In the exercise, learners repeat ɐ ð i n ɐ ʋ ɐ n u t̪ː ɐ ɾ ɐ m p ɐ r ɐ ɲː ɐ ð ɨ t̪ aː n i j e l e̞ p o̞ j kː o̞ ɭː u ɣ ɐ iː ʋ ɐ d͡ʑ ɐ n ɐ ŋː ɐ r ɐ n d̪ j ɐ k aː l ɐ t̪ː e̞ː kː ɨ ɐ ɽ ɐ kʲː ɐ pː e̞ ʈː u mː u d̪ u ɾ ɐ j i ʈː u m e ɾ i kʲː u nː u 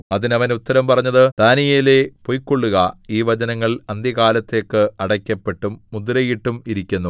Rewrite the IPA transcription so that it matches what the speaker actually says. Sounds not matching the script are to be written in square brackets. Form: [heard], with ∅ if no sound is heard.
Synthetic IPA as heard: ɐ ð i n ɐ ʋ ɐ n u t̪ː ɐ ɾ ɐ m p ɐ r ɐ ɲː ɐ ð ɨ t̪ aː n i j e l e̞ p o̞ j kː o̞ ɭː u ɣ ɐ iː ʋ ɐ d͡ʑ ɐ n ɐ ŋː ɐ [ɭ] ɐ n d̪ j ɐ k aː l ɐ t̪ː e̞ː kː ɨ ɐ ɽ ɐ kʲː ɐ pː e̞ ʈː u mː u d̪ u ɾ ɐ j i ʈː u m [i] ɾ i kʲː u nː u

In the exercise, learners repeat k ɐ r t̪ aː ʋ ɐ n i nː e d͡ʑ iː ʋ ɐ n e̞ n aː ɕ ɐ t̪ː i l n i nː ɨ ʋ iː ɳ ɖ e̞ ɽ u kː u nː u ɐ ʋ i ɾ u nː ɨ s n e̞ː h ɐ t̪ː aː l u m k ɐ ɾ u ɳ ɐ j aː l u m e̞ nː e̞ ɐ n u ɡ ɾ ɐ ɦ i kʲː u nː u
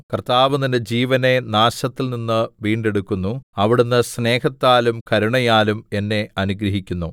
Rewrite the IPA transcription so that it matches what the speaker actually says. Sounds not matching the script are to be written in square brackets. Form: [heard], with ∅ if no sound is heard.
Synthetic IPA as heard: k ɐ r t̪ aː ʋ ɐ n i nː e d͡ʑ iː ʋ ɐ n e̞ n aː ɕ ɐ t̪ː i l n i nː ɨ ʋ iː ɳ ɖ e̞ ɽ u kː u nː u ɐ ʋ i [ɽ] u nː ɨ s n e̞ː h ɐ t̪ː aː l u m k ɐ ɾ u ɳ ɐ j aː l u m e̞ nː e̞ ɐ n u ɡ ɾ ɐ ɦ i kʲː u nː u

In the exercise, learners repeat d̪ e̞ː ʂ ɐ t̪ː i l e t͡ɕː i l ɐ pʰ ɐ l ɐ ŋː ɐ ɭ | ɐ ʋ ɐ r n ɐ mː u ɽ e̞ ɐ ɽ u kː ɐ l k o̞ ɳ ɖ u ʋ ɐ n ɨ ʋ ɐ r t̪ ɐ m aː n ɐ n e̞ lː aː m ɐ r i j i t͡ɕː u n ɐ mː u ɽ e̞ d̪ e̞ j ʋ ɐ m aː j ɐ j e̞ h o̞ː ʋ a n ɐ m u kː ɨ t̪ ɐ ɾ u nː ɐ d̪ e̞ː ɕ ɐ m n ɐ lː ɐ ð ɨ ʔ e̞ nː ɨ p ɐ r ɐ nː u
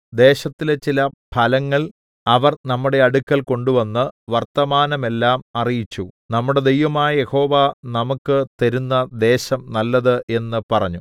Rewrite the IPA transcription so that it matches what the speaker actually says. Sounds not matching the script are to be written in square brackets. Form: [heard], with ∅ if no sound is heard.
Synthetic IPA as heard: d̪ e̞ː [ɕ] ɐ t̪ː i l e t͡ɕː i l ɐ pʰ ɐ l ɐ ŋː ɐ ɭ | ɐ ʋ ɐ r n ɐ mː u ɽ e̞ ɐ ɽ u kː ɐ l k o̞ ɳ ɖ u ʋ ɐ [nː] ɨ ʋ ɐ r t̪ ɐ m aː n ɐ [m] e̞ lː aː m ɐ r i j i t͡ɕː u n ɐ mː u ɽ e̞ d̪ e̞ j ʋ ɐ m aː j ɐ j e̞ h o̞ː ʋ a n ɐ m u kː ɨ t̪ ɐ ɾ u nː ɐ d̪ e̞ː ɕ ɐ m n ɐ lː ɐ ð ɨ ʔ e̞ nː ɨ p ɐ r ɐ [ɲː] u

